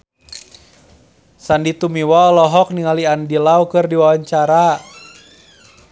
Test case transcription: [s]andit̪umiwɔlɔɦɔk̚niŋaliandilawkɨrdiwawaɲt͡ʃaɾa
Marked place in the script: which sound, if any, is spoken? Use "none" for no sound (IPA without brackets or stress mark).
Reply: s